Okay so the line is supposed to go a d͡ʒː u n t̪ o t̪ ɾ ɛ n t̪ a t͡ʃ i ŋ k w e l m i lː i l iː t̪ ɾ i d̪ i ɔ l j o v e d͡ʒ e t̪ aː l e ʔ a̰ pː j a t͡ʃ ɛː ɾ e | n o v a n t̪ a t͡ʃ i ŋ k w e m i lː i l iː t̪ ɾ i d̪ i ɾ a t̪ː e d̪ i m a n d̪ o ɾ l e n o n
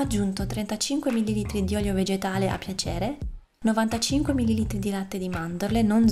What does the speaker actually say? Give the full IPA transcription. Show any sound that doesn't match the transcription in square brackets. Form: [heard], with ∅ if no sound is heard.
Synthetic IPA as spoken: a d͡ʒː u n t̪ o t̪ ɾ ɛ n t̪ a t͡ʃ i ŋ k w e [∅] m i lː i l iː t̪ ɾ i d̪ i ɔ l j o v e d͡ʒ e t̪ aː l e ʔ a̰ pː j a t͡ʃ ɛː ɾ e | n o v a n t̪ a t͡ʃ i ŋ k w e m i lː i l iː t̪ ɾ i d̪ i [l] a t̪ː e d̪ i m a n d̪ o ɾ l e n o n